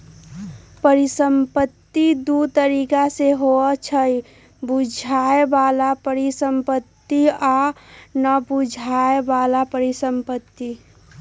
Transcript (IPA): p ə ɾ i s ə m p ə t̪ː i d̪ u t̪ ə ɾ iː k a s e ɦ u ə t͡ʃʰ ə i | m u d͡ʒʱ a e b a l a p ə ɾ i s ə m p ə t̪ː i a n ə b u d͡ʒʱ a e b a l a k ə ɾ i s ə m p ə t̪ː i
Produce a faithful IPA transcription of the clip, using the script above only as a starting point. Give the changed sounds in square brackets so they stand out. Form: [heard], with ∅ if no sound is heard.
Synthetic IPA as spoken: p ə ɾ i s ə m p ə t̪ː i d̪ u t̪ ə ɾ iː k a s e ɦ [o] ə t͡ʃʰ ə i | [b] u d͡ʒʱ a e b a l a p ə ɾ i s ə m p ə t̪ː i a n ə b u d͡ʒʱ a e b a l a [p] ə ɾ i s ə m p ə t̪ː i